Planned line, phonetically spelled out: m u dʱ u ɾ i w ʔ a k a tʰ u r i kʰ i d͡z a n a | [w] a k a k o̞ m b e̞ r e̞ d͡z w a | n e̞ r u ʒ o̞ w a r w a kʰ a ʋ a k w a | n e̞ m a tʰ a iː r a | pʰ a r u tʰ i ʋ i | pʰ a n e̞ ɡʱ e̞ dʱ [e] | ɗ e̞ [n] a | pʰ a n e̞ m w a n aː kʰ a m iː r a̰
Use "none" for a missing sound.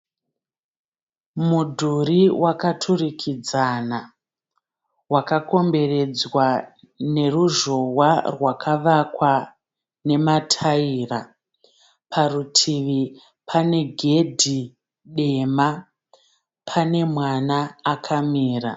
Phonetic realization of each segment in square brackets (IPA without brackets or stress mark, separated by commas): w, i, m